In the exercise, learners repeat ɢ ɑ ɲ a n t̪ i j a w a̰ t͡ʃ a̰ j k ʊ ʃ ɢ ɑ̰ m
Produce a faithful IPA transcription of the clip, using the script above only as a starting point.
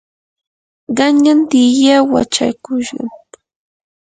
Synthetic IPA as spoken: ɢ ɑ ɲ a n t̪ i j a w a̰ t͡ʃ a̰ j k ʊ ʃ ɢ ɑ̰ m